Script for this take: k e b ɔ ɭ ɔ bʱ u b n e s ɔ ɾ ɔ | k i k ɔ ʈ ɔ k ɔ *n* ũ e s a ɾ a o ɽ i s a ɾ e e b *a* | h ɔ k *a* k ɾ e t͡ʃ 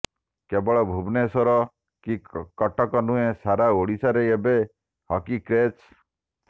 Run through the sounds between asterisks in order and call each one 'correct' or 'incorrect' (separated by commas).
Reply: correct, incorrect, incorrect